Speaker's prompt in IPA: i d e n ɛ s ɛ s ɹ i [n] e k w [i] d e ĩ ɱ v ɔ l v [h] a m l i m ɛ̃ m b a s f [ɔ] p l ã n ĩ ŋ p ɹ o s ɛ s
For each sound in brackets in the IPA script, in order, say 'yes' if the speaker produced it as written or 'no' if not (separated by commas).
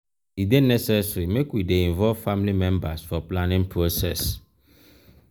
no, yes, no, yes